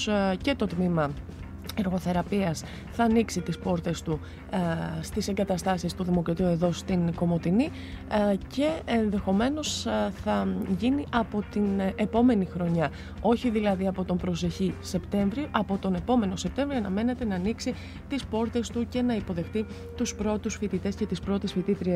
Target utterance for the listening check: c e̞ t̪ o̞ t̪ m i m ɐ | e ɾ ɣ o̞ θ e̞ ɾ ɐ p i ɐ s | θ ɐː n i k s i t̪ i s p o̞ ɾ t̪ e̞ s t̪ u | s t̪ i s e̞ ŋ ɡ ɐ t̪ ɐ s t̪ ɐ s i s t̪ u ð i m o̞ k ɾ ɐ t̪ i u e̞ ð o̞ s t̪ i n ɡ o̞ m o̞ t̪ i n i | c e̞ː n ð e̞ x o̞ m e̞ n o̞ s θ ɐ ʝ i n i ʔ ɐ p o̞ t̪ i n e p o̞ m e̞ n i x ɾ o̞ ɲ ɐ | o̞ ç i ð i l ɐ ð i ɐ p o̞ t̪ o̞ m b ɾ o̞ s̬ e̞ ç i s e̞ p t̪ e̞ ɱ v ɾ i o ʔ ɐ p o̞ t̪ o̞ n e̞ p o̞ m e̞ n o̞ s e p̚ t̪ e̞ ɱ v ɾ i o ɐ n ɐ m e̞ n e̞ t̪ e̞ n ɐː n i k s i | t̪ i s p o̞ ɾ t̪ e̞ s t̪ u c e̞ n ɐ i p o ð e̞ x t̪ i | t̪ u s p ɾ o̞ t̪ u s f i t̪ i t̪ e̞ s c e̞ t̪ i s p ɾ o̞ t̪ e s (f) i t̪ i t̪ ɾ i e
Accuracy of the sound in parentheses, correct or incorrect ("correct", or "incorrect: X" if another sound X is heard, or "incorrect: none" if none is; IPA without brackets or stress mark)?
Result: correct